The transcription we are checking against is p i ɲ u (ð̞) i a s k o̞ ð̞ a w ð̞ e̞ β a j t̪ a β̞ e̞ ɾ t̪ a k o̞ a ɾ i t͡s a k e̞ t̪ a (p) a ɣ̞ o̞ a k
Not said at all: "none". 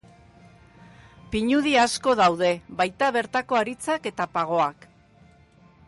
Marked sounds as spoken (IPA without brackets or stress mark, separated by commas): ð̞, p